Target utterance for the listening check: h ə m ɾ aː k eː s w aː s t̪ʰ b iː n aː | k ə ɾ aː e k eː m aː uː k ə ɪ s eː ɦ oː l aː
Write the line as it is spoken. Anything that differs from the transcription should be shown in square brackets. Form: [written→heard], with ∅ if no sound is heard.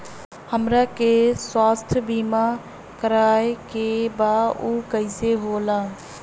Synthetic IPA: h ə m ɾ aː k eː s w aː s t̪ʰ b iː [n→m] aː | k ə ɾ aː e k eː [m→b] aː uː k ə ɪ s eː ɦ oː l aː